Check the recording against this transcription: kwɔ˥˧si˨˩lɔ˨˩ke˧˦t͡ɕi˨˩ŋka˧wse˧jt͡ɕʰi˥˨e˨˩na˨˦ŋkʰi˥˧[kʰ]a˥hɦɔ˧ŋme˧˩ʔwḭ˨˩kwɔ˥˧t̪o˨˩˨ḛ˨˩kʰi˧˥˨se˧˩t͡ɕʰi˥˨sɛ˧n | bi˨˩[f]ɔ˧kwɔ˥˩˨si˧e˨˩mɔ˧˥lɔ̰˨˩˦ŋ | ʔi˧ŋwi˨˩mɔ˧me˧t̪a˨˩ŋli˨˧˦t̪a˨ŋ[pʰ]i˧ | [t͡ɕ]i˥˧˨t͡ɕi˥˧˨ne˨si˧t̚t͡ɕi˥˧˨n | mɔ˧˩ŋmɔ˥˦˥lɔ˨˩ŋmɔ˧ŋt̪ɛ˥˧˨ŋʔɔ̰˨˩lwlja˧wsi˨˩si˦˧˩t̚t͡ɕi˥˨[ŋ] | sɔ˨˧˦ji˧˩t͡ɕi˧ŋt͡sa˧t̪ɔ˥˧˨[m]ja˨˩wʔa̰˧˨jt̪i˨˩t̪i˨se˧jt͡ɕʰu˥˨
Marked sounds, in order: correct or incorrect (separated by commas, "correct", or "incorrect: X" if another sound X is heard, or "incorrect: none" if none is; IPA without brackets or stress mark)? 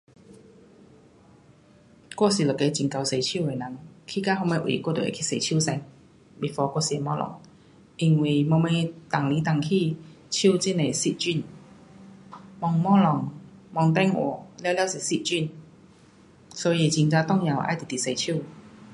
incorrect: k, correct, incorrect: kʰ, incorrect: t͡ɕʰ, incorrect: n, incorrect: ŋ